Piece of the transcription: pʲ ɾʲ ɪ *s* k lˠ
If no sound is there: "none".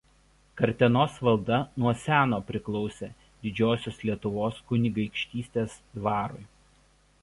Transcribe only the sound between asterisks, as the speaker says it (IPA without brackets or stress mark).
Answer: none